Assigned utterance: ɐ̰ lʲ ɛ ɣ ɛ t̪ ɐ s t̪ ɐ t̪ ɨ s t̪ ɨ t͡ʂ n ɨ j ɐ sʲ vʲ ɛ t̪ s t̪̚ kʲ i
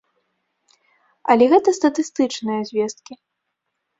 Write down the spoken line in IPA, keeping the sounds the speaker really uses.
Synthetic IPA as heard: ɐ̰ lʲ ɛ ɣ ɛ t̪ ɐ s t̪ ɐ t̪ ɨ s t̪ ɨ t͡ʂ n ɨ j ɐ zʲ vʲ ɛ s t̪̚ kʲ i